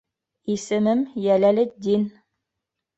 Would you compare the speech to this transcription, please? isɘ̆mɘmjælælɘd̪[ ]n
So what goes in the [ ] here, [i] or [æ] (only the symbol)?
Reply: i